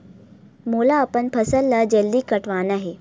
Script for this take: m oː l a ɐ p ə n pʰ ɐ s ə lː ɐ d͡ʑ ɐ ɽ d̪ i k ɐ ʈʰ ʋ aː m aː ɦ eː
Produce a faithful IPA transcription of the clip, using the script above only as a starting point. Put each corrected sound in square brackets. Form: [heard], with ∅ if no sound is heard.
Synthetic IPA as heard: m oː l a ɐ p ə n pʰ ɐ s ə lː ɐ d͡ʑ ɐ [l] d̪ i k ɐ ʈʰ ʋ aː [n] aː ɦ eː